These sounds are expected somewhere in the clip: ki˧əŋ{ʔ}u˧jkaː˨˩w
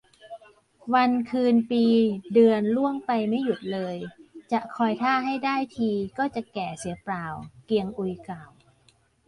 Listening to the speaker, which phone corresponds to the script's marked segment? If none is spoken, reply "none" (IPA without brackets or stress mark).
ʔ